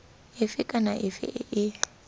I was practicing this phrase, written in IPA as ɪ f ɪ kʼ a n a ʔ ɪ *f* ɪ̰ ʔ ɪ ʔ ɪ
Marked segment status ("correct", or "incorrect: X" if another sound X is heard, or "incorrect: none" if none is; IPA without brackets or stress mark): correct